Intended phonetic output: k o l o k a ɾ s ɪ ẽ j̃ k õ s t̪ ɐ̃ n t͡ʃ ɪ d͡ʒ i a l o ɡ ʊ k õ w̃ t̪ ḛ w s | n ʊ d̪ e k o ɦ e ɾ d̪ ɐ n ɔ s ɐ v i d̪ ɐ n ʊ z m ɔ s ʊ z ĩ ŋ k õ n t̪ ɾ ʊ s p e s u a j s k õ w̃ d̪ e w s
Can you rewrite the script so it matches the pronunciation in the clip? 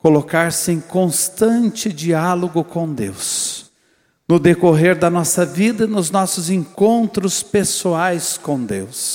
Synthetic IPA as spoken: k o l o k a ɾ s ɪ ẽ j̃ k õ s t̪ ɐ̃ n t͡ʃ ɪ d͡ʒ i a l o ɡ ʊ k õ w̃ d̪ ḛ w s | n ʊ d̪ e k o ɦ e ɾ d̪ ɐ n ɔ s ɐ v i d̪ ɐ n ʊ z n ɔ s ʊ z ẽ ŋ k õ n t̪ ɾ ʊ s p e s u a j s k õ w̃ d̪ e w s